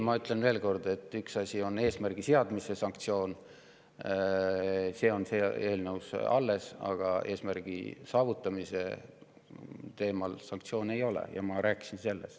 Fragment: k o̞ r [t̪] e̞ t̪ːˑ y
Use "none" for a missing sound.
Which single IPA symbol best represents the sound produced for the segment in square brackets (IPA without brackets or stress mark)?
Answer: d̪